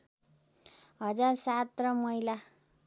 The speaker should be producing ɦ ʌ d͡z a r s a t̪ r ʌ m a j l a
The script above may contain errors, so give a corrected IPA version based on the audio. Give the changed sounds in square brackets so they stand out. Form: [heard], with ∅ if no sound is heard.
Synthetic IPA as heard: ɦ ʌ d͡z a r s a t̪ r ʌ m [ʌ] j l a